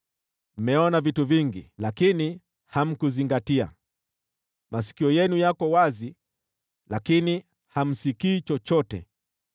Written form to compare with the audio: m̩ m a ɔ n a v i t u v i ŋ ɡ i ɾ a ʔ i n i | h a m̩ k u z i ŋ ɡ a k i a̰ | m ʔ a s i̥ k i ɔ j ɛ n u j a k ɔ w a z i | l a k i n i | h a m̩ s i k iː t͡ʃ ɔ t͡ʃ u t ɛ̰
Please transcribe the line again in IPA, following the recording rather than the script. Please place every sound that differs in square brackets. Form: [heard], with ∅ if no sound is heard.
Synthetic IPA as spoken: m̩ m [ɛ] ɔ n a v i t u v i ŋ ɡ i [l] a [k] i n i | h a m̩ k u z i ŋ ɡ a [t] i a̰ | m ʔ a s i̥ k i ɔ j ɛ n u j a k ɔ w a z i | l a k i n i | h a m̩ s i k iː t͡ʃ ɔ t͡ʃ [ɔ] t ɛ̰